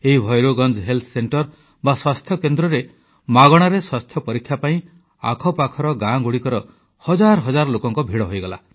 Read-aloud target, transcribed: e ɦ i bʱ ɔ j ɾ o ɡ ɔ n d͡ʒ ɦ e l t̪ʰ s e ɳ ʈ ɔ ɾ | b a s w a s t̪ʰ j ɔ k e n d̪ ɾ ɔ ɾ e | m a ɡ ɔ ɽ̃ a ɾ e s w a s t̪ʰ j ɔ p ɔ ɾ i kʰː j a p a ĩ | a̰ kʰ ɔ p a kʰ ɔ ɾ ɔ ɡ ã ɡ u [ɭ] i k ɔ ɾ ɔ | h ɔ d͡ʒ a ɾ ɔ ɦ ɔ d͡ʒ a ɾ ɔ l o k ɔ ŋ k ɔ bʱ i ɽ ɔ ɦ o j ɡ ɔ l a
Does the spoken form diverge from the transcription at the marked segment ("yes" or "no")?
yes